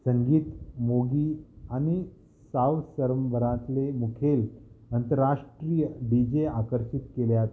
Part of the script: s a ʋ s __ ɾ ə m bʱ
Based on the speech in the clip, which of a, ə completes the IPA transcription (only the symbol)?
ə